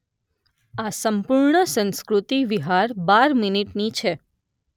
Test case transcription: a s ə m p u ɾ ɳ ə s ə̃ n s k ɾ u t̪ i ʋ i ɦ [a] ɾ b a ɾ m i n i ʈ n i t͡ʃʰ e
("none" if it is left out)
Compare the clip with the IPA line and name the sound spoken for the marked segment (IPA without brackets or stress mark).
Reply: a